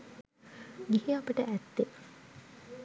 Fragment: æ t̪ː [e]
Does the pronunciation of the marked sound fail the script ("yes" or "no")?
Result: no